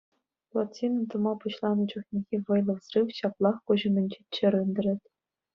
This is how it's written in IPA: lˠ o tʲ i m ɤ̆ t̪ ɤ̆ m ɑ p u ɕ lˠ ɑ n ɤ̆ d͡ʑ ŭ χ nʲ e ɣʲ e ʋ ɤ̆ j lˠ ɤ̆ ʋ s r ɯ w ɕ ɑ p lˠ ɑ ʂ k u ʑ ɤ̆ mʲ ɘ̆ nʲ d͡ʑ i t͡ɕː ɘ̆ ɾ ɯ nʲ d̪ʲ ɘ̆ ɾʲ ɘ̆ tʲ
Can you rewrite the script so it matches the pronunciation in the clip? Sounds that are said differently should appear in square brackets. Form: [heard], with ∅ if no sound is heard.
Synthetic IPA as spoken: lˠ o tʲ i [n] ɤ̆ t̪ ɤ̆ m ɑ p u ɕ lˠ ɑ n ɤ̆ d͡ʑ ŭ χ nʲ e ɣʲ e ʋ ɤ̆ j lˠ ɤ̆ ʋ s r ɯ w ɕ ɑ p lˠ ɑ [χ] k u ʑ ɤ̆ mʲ ɘ̆ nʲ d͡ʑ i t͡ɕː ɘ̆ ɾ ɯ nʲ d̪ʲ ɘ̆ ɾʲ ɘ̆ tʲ